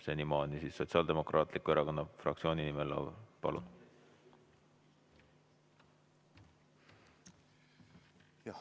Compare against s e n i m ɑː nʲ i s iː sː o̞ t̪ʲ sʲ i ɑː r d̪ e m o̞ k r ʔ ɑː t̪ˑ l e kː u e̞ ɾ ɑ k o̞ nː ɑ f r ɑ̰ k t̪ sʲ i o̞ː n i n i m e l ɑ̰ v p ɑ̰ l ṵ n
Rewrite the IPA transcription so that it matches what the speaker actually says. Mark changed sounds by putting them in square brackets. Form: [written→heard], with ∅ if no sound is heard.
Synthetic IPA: s e n i m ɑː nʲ i s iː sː o̞ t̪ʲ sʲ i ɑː [r→l] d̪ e m o̞ k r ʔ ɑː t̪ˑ l [e→i] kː u e̞ ɾ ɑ k o̞ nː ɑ f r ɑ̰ k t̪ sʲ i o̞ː n i n i m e l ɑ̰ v p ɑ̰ l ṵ n